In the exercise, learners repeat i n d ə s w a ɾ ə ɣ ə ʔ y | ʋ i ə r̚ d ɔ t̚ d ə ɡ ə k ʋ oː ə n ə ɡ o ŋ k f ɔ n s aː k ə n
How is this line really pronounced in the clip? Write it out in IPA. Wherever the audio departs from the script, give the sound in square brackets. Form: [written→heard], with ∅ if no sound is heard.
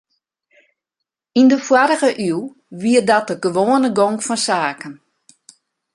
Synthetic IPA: i n d ə [s→f] w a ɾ ə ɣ ə ʔ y | ʋ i ə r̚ d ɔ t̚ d ə ɡ ə [k→∅] ʋ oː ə n ə ɡ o ŋ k f ɔ n s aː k ə n